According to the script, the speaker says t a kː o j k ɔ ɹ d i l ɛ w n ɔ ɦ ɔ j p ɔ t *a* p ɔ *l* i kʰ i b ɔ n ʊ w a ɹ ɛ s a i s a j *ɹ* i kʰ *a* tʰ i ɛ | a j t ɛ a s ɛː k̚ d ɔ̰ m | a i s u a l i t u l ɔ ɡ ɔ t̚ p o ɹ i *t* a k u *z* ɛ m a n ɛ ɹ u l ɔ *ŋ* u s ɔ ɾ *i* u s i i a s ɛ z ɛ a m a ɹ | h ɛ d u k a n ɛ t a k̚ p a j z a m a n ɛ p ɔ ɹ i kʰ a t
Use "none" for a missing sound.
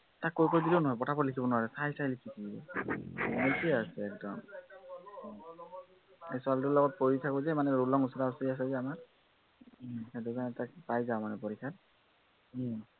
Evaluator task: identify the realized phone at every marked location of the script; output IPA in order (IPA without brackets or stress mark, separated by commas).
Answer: a, l, l, i, tʰ, z, ŋ, a